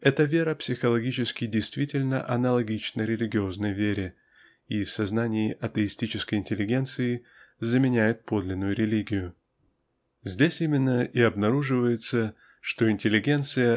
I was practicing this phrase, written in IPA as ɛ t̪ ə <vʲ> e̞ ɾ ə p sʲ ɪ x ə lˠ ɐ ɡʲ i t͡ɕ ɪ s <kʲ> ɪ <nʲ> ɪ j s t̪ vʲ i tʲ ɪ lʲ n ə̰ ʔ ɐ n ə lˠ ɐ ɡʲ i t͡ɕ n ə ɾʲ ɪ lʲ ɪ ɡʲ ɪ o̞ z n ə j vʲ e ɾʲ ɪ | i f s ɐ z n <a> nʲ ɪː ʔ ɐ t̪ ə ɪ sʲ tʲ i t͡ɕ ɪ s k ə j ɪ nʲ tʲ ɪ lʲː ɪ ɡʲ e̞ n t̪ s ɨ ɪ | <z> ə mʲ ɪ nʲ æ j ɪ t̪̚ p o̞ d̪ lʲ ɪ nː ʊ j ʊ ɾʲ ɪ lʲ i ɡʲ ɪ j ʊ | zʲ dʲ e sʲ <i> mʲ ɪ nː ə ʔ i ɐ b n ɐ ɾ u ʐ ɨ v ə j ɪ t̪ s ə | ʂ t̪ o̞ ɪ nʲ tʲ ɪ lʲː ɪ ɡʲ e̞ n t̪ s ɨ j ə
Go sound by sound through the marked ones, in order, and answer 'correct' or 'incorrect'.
correct, correct, incorrect: dʲ, correct, correct, correct

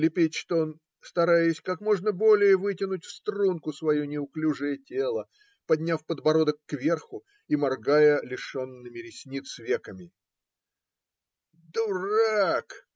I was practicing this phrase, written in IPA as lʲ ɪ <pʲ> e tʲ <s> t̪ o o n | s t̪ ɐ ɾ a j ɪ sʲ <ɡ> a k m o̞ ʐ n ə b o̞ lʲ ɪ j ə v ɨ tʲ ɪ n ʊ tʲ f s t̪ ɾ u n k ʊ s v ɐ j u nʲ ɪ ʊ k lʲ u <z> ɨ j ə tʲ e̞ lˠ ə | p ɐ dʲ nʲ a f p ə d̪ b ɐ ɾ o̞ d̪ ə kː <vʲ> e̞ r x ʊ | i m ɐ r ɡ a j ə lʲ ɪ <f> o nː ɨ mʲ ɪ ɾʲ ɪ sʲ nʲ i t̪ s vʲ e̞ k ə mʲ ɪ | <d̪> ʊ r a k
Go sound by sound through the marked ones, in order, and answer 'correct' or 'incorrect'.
correct, incorrect: ʂ, incorrect: k, incorrect: ʐ, correct, incorrect: ʂ, correct

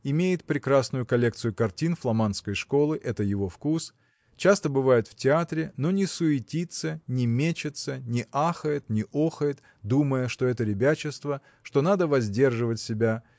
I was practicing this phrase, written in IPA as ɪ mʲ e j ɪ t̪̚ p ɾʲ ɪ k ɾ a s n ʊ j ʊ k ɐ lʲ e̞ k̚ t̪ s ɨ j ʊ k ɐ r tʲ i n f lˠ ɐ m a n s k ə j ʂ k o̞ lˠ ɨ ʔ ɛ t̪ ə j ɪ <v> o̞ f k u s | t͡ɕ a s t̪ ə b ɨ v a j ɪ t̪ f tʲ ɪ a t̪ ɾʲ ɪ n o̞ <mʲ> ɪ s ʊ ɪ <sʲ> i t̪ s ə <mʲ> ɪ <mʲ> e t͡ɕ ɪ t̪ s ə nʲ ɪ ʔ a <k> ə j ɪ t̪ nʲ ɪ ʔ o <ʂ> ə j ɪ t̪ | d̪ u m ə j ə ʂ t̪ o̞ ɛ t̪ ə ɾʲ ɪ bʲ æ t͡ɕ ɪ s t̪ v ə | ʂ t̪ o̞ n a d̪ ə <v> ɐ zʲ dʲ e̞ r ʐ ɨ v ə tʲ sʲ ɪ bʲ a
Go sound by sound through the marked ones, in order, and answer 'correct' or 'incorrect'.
correct, incorrect: nʲ, incorrect: tʲ, incorrect: nʲ, correct, incorrect: x, incorrect: x, correct

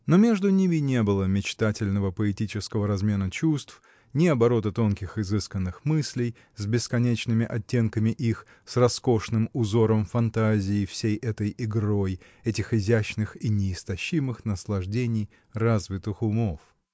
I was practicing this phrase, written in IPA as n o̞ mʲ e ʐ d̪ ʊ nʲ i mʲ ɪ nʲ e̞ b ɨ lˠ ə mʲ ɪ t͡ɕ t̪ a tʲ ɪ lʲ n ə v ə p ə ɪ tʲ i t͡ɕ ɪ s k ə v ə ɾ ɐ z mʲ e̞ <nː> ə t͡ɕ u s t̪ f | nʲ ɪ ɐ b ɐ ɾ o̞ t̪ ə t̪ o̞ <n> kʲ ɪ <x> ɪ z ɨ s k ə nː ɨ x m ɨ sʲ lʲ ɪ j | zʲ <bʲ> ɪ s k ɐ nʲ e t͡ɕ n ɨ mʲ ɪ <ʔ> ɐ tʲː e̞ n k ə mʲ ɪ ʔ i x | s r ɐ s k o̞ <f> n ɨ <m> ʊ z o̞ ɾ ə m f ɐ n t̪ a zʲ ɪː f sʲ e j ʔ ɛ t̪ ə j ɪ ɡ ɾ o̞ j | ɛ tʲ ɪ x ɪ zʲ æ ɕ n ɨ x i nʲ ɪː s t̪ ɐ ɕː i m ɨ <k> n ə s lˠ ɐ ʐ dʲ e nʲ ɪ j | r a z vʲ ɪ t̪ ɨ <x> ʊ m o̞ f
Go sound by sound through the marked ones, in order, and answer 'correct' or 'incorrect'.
incorrect: n, correct, correct, correct, correct, incorrect: ʂ, correct, incorrect: x, correct

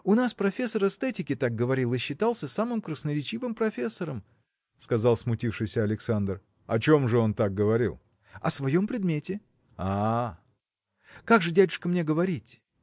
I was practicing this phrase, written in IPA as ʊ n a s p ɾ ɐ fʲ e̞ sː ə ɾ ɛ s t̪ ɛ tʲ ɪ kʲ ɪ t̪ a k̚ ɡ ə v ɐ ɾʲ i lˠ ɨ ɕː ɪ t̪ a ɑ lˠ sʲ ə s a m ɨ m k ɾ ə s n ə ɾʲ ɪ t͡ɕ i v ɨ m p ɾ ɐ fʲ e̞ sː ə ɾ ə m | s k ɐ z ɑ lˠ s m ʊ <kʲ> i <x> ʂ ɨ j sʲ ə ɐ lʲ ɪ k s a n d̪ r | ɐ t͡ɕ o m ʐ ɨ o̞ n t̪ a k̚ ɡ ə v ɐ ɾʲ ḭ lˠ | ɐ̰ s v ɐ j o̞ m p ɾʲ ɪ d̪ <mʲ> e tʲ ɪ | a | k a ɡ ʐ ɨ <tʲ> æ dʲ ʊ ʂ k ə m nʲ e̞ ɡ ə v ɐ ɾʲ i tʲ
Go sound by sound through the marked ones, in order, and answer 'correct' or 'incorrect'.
incorrect: tʲ, incorrect: f, correct, incorrect: dʲ

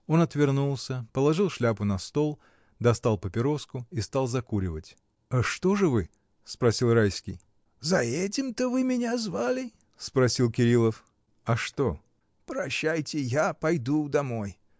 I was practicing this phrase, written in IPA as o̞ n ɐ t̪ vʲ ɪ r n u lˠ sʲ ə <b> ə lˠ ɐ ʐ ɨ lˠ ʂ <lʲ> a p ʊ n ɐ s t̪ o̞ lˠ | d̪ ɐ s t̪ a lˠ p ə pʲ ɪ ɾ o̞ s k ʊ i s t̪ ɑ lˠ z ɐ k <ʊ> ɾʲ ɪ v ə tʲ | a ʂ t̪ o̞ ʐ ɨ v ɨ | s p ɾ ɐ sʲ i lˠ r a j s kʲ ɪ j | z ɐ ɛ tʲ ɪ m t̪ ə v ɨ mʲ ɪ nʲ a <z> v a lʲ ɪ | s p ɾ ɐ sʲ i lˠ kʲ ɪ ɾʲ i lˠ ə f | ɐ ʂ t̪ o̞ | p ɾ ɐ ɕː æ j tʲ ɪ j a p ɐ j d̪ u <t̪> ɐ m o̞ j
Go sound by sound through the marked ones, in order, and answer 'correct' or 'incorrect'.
incorrect: p, correct, incorrect: u, correct, incorrect: d̪

